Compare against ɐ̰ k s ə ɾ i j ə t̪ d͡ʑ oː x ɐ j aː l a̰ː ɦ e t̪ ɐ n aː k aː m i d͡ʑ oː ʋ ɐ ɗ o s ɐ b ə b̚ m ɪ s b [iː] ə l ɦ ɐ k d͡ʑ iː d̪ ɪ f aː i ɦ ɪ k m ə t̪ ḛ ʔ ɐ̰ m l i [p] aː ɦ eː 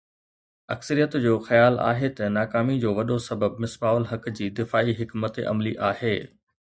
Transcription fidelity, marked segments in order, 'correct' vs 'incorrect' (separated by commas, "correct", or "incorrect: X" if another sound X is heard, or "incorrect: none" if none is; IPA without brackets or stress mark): incorrect: aː, incorrect: ʔ